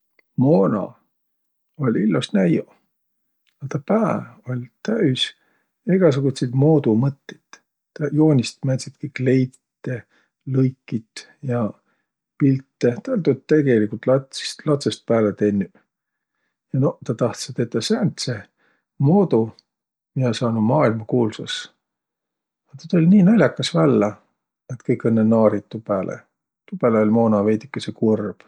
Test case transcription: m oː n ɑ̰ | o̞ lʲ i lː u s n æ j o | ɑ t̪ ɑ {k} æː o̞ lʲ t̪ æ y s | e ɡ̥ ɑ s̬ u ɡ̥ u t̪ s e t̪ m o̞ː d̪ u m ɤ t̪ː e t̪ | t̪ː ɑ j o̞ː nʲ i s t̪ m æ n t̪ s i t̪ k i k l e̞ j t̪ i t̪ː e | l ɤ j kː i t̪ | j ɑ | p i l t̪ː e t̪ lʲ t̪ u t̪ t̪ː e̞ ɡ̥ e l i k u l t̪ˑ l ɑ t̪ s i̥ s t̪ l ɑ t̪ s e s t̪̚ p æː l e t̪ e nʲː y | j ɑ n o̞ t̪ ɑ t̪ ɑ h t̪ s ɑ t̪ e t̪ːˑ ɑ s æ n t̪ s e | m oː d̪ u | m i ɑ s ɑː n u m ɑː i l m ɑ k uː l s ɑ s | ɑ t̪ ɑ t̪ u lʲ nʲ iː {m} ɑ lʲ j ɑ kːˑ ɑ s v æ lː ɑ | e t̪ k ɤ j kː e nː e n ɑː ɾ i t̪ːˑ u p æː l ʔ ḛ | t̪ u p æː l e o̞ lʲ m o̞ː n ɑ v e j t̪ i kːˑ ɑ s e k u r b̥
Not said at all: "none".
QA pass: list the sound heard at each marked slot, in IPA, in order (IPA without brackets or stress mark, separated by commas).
p, n